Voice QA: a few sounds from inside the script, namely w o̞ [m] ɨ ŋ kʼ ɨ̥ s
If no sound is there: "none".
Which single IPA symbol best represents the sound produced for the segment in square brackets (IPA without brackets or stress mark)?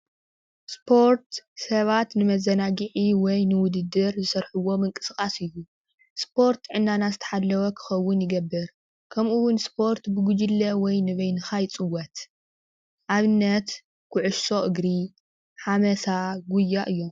m